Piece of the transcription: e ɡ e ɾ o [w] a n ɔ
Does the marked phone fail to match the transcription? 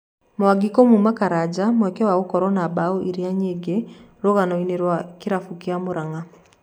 yes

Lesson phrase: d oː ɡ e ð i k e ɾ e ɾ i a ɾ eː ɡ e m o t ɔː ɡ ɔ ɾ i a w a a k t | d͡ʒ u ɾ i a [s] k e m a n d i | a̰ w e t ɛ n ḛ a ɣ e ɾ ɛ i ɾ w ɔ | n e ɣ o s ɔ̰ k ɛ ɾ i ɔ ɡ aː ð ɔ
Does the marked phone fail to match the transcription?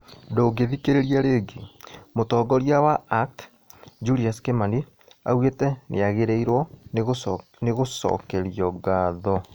no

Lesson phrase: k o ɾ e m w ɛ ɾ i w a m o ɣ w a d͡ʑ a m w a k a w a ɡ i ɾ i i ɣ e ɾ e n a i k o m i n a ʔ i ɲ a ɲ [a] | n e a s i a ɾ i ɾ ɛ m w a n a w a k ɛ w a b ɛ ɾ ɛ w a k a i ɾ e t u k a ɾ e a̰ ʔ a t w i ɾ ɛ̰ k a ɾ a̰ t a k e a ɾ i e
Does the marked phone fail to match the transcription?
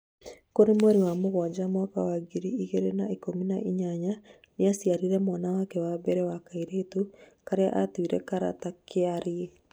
no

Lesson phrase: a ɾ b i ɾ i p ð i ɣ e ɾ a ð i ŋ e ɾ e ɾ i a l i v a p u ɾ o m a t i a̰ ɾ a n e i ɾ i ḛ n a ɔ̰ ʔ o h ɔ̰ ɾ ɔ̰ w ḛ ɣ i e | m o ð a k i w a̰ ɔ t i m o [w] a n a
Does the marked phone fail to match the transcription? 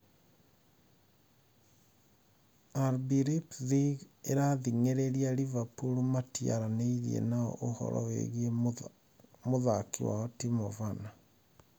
yes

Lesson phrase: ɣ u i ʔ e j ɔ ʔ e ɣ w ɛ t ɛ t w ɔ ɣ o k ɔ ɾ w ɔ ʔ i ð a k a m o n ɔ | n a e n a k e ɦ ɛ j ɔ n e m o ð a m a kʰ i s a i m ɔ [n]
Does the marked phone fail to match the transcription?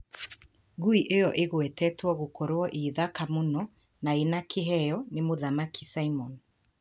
no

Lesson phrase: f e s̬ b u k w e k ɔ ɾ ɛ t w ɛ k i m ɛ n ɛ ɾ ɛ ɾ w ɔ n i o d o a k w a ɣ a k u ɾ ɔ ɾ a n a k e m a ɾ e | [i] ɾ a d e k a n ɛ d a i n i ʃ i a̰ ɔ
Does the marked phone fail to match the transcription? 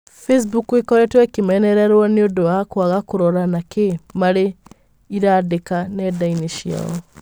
no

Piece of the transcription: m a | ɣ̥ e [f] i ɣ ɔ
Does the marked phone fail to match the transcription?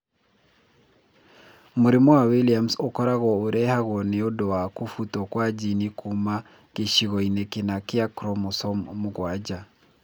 yes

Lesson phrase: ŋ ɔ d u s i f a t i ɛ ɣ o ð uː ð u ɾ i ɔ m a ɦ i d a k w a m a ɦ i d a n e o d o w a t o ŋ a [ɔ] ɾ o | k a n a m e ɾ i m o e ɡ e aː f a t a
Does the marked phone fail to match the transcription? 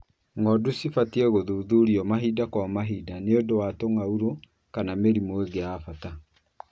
yes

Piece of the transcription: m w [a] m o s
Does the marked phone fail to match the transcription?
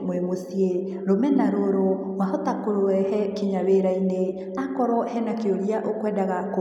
yes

